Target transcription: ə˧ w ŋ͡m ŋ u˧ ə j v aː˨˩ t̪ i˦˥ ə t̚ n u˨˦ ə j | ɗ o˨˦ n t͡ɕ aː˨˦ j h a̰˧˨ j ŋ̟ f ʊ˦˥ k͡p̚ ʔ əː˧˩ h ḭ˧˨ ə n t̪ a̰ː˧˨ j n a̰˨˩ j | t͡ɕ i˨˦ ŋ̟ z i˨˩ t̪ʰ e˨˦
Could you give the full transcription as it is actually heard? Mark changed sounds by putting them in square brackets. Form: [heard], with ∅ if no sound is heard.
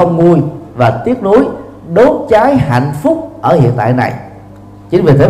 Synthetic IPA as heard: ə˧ w ŋ͡m ŋ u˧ ə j v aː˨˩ t̪ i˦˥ ə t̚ n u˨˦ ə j | ɗ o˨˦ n t͡ɕ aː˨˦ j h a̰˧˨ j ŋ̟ f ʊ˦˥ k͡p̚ ʔ əː˧˩ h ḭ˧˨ ə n t̪ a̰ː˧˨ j n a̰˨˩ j | t͡ɕ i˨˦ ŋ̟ [v] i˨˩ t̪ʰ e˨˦